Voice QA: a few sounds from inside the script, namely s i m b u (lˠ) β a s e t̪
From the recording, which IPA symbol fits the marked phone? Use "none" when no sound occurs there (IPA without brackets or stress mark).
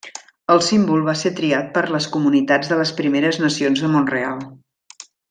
lˠ